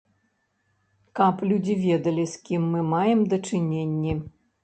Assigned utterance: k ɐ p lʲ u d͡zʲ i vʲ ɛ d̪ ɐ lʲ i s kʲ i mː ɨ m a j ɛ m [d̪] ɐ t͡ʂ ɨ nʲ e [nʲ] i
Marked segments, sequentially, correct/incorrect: correct, incorrect

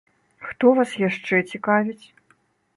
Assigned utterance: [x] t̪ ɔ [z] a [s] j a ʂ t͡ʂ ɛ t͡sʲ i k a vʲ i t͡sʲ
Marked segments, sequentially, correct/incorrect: correct, incorrect, correct

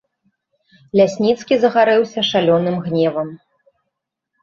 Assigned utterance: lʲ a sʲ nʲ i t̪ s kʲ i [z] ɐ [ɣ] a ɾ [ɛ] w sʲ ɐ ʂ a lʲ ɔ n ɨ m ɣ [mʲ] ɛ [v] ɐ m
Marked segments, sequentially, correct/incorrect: correct, correct, correct, incorrect, correct

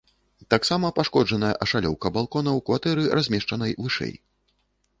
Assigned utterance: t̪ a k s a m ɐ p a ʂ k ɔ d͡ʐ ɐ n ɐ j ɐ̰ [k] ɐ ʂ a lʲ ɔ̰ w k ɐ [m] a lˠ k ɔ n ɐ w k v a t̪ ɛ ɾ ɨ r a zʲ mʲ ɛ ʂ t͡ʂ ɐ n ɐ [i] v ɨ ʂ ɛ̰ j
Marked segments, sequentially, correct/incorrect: incorrect, incorrect, incorrect

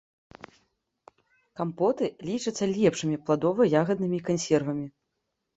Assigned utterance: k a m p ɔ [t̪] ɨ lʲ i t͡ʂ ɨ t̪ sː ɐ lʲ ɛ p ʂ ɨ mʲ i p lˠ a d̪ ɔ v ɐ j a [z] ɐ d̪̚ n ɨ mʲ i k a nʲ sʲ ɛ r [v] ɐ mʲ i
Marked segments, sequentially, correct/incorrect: correct, incorrect, correct

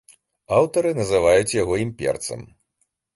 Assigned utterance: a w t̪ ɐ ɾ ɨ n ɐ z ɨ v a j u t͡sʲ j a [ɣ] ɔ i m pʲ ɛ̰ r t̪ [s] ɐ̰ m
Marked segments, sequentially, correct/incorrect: correct, correct

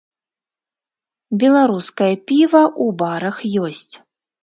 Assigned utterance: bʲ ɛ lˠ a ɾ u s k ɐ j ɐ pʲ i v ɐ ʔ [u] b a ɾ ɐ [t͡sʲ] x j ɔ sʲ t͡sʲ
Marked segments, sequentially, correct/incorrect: correct, incorrect

